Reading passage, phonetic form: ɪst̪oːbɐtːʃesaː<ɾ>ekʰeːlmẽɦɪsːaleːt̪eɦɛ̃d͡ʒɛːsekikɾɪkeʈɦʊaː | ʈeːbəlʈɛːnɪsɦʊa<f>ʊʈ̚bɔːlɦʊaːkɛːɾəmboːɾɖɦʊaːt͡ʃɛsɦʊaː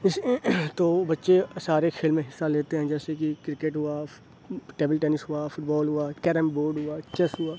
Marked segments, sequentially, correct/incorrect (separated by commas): correct, correct